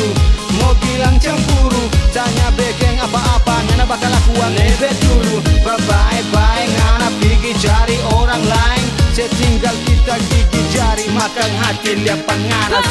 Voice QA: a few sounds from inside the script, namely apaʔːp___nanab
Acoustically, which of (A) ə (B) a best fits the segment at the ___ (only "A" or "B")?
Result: B